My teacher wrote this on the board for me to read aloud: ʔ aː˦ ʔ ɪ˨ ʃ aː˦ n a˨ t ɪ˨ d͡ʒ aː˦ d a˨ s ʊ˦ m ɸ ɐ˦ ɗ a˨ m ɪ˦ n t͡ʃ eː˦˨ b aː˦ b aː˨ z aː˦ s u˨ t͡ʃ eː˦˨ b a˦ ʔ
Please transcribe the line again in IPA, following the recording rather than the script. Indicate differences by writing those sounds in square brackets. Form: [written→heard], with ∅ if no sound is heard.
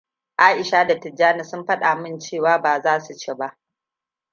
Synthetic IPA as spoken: ʔ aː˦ ʔ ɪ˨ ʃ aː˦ [n→d] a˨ t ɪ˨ d͡ʒ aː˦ [d→n] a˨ s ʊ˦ m ɸ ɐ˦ ɗ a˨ m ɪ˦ n t͡ʃ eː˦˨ [b→w] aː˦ b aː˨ z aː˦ s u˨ t͡ʃ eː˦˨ b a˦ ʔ